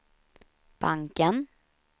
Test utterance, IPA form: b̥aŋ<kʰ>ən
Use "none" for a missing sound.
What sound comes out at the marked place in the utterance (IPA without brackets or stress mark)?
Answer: k